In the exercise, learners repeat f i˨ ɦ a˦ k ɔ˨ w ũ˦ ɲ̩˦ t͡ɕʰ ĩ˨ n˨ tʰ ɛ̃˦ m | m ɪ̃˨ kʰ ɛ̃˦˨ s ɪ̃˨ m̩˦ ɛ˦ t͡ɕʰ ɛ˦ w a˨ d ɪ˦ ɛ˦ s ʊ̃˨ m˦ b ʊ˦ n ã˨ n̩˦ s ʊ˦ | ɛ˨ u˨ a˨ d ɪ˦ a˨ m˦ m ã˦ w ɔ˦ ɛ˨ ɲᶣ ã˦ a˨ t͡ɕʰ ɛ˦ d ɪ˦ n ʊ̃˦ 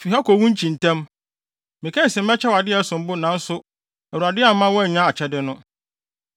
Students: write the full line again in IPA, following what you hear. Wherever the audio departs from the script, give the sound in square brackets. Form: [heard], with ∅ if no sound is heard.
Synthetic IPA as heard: f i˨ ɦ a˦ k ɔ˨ w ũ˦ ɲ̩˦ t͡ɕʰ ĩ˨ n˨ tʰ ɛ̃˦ m | m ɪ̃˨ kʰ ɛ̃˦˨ s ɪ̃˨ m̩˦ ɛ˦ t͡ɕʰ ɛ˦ w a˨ d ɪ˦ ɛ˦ s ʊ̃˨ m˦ b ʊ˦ n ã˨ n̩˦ s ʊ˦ | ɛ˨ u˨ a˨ d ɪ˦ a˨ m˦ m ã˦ w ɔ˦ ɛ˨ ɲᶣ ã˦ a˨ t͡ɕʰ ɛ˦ d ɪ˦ n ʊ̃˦

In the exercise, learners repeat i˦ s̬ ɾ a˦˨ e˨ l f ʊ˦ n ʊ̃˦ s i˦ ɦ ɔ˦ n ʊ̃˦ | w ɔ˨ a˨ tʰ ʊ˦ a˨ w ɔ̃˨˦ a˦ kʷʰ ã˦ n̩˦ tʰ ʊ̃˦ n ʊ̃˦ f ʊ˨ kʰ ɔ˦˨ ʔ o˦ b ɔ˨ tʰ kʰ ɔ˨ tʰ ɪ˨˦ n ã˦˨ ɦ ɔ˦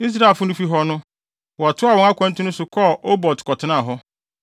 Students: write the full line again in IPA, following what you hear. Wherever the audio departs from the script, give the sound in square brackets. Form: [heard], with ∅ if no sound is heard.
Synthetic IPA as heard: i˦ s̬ ɾ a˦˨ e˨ l f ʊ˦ n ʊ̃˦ [f] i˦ ɦ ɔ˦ n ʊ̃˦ | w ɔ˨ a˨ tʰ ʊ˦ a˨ w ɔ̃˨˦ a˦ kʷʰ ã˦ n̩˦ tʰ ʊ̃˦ n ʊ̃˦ [s] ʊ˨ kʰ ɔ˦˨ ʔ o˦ b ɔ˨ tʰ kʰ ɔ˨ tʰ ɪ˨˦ n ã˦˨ ɦ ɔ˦

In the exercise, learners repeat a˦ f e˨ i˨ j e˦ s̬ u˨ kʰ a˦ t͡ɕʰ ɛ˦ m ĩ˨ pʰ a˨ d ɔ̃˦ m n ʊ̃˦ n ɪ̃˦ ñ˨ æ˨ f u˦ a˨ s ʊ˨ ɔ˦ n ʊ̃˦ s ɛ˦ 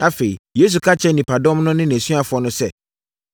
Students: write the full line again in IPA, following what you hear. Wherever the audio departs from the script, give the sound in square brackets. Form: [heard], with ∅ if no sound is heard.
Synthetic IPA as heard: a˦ f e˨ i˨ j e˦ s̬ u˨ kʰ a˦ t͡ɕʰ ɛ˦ [n] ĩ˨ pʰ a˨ d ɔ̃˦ m n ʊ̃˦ n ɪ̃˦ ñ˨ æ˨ [s] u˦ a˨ [f] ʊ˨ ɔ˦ n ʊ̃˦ s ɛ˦

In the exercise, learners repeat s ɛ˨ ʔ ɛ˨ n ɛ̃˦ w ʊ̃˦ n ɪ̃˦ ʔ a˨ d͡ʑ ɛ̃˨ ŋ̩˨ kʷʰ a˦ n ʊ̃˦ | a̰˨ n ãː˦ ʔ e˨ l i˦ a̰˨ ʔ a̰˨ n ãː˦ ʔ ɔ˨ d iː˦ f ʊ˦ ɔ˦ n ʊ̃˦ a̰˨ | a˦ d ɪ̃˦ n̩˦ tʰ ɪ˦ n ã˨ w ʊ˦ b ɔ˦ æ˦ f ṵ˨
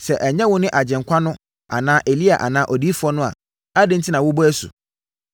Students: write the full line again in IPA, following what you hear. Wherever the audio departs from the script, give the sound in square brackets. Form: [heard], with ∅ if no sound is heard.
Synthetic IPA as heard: s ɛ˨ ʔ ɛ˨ [ɲ] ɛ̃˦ w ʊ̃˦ n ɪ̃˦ ʔ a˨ d͡ʑ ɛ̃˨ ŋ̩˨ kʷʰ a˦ n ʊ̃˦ | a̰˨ n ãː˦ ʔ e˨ l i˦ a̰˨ ʔ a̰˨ n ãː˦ ʔ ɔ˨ d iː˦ f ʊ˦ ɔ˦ n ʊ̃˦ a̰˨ | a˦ d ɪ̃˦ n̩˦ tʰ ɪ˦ n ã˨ w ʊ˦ b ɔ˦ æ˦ [s] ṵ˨

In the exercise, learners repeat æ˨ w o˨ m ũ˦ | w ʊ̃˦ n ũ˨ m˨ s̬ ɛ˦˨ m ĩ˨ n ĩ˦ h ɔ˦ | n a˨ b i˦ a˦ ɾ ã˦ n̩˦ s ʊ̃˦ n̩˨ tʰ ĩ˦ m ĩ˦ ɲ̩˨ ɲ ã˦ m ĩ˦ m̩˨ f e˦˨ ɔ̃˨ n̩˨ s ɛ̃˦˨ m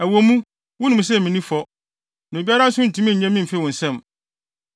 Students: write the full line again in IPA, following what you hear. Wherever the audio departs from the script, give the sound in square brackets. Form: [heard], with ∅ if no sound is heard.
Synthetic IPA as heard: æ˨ w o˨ m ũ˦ | w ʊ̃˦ n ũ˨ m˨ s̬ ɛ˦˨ m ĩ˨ n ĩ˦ [f] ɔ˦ | n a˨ b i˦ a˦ ɾ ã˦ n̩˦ s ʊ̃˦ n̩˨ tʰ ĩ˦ m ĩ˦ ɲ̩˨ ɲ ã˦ m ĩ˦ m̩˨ f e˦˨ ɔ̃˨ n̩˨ s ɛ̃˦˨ m

